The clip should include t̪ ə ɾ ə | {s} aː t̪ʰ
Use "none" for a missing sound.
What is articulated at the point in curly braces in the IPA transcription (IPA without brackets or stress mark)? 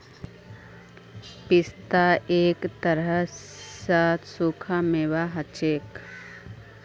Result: s